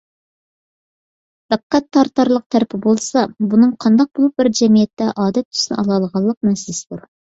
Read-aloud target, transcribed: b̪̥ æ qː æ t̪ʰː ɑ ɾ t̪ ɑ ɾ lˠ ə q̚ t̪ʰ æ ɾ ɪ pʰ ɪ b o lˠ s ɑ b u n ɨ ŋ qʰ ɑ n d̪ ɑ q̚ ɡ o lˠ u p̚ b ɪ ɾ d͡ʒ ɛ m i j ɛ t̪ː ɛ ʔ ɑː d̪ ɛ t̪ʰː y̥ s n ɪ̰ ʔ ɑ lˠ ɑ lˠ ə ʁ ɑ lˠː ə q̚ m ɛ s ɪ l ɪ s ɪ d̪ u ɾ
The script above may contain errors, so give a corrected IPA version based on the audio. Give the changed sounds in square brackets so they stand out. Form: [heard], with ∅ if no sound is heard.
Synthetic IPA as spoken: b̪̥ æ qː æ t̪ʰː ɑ ɾ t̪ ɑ ɾ lˠ ə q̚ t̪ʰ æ ɾ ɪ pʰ ɪ b o lˠ s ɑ b u n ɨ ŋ qʰ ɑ n d̪ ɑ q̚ [b] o lˠ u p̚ b ɪ ɾ d͡ʒ ɛ m i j ɛ t̪ː ɛ ʔ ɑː d̪ ɛ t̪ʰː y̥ s n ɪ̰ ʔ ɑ lˠ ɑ lˠ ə ʁ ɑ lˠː ə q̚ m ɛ s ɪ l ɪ s ɪ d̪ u ɾ